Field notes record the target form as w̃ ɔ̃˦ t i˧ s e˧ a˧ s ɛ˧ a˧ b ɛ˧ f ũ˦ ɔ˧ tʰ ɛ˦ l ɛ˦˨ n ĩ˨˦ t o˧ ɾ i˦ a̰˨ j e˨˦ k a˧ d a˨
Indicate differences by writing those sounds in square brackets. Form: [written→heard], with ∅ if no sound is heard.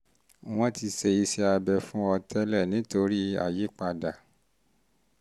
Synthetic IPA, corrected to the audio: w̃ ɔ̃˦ t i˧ s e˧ [a˧→i˧] s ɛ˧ a˧ b ɛ˧ f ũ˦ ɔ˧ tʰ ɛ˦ l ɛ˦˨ n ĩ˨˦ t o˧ ɾ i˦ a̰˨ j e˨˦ [k→k͡p] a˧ d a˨